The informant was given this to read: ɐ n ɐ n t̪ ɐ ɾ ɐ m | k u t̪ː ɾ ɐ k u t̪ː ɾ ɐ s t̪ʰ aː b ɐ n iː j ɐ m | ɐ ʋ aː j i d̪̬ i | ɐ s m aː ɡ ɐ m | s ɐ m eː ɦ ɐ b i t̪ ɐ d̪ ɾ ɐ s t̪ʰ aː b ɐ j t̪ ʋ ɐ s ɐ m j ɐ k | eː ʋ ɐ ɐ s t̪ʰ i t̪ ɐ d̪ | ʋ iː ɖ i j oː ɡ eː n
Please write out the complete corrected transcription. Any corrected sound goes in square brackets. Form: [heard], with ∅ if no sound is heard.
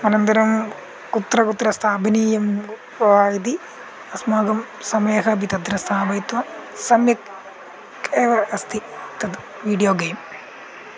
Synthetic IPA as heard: ɐ n ɐ n t̪ ɐ ɾ ɐ m | k u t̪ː ɾ ɐ k u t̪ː ɾ ɐ s t̪ʰ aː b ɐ n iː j ɐ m | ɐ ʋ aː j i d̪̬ i | ɐ s m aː ɡ ɐ m | s ɐ m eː ɦ ɐ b i t̪ ɐ d̪ ɾ ɐ s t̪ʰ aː b ɐ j t̪ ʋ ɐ s ɐ m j ɐ k | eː ʋ ɐ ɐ s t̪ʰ i t̪ ɐ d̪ | ʋ iː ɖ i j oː ɡ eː [m]